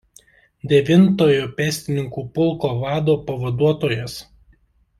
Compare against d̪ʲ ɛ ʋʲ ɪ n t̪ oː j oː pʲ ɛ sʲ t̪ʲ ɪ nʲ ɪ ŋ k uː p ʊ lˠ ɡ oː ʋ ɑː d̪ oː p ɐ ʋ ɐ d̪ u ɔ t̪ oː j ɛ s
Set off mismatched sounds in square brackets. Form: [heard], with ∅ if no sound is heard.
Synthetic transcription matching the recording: d̪ʲ ɛ ʋʲ ɪ n t̪ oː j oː pʲ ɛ sʲ t̪ʲ ɪ nʲ ɪ ŋ k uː p ʊ lˠ [k] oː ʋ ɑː d̪ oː p ɐ ʋ ɐ d̪ u ɔ t̪ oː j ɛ s